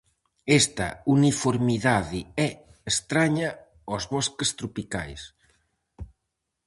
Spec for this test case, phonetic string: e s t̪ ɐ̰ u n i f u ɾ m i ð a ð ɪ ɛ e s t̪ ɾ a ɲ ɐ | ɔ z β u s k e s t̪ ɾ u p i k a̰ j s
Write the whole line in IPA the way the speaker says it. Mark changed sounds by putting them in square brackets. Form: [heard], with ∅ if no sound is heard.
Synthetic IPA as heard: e s t̪ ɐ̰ u n i f [o] ɾ m i ð a ð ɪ ɛ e s t̪ ɾ a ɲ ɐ | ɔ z β [ɔ] s k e s t̪ ɾ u p i k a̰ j s